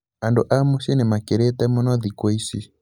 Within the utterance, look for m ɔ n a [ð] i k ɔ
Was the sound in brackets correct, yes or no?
yes